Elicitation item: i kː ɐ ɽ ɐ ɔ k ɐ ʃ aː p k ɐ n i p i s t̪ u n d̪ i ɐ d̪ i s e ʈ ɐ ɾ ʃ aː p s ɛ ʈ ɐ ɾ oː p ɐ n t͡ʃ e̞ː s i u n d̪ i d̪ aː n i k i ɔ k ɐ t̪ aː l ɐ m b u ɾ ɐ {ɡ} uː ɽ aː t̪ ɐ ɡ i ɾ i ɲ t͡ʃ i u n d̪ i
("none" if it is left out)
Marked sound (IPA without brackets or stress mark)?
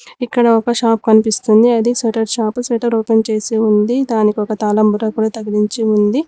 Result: k